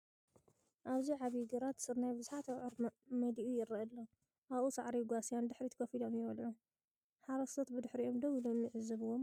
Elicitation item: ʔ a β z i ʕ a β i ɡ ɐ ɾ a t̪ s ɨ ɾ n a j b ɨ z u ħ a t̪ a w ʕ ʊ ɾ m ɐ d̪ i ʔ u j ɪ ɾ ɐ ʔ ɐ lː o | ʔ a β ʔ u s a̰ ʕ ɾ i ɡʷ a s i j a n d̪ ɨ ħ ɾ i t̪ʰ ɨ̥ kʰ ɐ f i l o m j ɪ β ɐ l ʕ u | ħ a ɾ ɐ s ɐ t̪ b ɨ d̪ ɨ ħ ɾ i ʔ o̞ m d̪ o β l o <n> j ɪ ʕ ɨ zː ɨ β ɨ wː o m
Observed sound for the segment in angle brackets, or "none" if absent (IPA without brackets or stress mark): m